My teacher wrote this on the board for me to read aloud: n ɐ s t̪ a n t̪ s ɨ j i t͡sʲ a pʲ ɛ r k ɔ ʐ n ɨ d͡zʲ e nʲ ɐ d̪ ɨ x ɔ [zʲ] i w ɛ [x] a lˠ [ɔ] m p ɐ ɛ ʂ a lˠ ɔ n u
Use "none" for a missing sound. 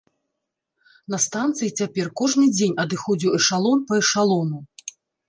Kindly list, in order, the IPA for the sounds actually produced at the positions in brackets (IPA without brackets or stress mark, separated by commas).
d͡zʲ, ʂ, ɔ